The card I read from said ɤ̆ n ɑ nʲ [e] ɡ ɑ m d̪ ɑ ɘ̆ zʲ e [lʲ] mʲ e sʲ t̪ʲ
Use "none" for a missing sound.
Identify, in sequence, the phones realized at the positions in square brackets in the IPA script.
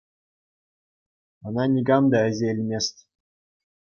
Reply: i, lʲ

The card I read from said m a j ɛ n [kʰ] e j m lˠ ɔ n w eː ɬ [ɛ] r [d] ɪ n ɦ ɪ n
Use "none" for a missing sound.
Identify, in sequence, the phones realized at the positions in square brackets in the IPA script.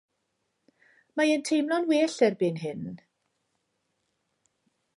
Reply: tʰ, ɛ, b

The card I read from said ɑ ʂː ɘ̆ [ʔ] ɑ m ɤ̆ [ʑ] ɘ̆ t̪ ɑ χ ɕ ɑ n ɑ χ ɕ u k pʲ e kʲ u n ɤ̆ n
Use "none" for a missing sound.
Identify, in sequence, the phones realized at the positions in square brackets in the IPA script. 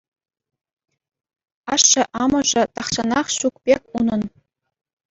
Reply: ʔ, ʐ

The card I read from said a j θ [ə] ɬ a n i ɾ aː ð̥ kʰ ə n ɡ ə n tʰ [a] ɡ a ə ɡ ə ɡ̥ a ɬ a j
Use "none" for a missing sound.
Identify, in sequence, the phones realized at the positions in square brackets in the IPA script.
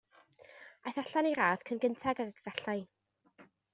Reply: a, a

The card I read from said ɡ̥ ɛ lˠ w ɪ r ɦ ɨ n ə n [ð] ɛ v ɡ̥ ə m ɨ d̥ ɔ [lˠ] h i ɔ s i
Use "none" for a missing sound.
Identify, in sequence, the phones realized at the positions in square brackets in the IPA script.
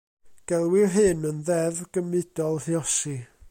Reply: ð, lˠ

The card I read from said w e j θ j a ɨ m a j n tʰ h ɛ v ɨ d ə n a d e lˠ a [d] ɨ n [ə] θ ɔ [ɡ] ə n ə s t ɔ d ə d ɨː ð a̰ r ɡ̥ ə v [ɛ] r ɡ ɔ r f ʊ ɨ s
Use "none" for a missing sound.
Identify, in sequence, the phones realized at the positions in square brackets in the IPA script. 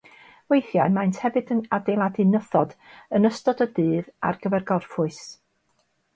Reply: d, ə, d, ɛ

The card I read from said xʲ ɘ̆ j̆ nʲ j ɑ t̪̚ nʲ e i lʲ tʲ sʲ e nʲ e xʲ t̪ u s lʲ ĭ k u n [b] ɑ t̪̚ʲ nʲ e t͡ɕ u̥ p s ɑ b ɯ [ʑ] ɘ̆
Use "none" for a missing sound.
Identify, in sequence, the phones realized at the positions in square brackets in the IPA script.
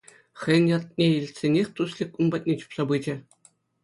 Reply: b, d͡ʑ

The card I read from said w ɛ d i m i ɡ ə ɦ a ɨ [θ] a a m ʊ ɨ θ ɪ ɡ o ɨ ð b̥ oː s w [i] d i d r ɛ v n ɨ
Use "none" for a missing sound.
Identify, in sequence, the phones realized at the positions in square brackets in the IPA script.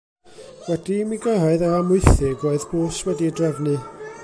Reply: ð, ɛ

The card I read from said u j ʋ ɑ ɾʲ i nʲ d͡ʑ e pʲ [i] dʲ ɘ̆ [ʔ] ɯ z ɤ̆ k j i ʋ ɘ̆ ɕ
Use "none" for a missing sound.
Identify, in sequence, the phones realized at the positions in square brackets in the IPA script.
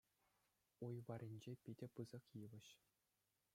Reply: i, p

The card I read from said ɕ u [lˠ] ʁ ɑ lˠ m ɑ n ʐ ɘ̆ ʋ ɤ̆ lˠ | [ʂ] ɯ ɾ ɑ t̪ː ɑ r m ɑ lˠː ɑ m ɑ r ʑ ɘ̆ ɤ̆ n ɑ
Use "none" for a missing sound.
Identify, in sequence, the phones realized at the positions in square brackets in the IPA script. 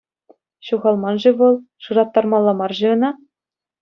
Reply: none, ʂ

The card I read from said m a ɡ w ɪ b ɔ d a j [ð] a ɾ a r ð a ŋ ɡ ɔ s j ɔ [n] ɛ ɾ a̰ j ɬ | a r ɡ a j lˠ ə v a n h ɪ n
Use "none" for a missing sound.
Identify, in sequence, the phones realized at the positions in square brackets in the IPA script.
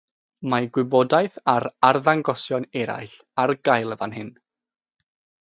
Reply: θ, n

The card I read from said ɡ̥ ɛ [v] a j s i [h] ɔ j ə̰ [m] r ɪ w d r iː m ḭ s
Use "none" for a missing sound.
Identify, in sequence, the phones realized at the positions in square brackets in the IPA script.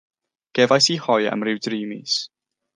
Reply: v, h, m

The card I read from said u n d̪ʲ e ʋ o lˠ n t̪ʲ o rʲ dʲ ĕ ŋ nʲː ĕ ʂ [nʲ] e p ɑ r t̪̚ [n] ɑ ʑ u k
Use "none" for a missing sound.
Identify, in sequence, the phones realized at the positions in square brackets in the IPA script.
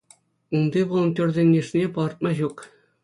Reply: nʲ, m

